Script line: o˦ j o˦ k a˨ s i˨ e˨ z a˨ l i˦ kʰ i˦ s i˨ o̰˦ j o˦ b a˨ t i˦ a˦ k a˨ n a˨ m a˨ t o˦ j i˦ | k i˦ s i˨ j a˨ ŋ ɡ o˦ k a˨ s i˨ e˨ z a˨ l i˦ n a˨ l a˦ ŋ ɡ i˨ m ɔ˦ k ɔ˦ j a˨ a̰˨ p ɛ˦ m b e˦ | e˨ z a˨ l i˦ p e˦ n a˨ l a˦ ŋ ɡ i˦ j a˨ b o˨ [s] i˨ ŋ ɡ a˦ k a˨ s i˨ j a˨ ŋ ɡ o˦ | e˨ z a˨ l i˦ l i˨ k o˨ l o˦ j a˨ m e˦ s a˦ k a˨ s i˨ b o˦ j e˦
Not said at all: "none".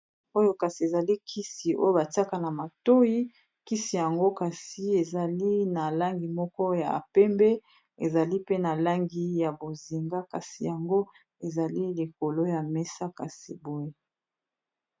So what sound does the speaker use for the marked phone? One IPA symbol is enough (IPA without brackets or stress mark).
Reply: z